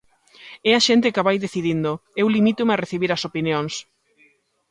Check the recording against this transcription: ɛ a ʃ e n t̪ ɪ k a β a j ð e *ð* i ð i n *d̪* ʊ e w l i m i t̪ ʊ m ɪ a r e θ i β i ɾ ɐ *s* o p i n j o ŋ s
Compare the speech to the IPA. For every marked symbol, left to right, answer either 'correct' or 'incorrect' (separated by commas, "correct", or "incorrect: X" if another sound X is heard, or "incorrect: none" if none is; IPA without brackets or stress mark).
incorrect: θ, correct, correct